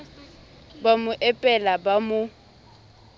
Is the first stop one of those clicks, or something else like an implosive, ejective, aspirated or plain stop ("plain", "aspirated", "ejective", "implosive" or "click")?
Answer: plain